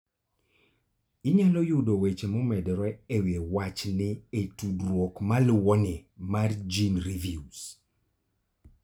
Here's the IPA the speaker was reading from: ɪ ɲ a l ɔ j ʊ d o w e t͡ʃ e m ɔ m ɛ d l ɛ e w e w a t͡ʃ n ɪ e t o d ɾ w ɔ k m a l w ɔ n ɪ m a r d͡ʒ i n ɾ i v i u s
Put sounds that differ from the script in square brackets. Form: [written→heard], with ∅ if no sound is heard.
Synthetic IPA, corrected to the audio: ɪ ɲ a l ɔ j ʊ d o w e t͡ʃ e m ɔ m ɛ d [l→ɾ] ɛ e w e w a t͡ʃ n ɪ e t [o→u] d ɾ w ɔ k m a l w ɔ n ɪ m a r d͡ʒ i n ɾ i v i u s